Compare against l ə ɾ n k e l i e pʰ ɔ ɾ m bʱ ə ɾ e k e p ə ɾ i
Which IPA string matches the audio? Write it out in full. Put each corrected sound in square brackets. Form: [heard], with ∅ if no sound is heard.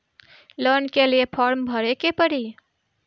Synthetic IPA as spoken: l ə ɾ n k e l i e pʰ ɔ ɾ m bʱ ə ɾ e k e p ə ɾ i